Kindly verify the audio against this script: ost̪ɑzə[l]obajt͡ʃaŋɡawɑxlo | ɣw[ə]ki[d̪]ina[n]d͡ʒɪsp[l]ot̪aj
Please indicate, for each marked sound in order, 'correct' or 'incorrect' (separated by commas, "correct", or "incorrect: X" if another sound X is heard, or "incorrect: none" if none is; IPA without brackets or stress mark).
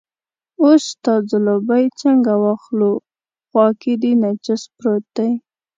correct, incorrect: ɑ, correct, incorrect: none, incorrect: ɾ